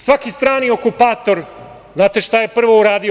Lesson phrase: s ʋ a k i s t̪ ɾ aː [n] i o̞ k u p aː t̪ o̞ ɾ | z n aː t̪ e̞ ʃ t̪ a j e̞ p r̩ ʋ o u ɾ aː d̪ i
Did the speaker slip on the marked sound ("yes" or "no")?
no